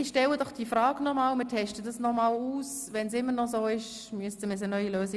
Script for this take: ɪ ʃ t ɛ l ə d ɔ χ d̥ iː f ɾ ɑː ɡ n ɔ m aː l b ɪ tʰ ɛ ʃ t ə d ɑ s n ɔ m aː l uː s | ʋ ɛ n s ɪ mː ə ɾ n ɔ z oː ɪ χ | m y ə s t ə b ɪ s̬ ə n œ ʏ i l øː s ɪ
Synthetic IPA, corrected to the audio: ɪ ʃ t ɛ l ə d ɔ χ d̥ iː f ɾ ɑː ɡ n ɔ m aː l m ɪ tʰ ɛ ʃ t ə d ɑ s n ɔ m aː l uː s | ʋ ɛ n s ɪ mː ə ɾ n ɔ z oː ɪ ʃ | m y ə s t ə m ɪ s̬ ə n œ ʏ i l øː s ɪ